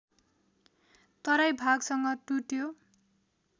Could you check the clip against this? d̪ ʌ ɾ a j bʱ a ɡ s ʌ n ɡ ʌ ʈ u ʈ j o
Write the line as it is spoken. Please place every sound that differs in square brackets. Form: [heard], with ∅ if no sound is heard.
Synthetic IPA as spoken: [t̪] ʌ ɾ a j bʱ a ɡ s ʌ [ŋ] ɡ ʌ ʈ u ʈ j o